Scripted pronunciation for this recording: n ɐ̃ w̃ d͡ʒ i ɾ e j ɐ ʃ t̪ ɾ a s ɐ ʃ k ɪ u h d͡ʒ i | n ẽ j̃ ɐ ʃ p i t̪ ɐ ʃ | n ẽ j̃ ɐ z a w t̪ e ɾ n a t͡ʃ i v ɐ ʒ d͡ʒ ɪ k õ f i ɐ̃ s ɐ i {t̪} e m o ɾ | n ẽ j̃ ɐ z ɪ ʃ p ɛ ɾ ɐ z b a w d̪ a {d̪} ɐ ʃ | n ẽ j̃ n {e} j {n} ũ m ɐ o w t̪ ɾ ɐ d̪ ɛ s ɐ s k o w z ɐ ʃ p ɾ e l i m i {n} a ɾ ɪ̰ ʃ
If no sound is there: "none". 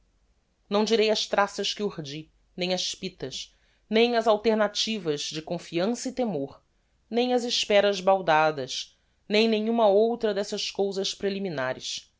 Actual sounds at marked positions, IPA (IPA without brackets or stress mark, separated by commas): t̪, d̪, ẽ, ɲ, n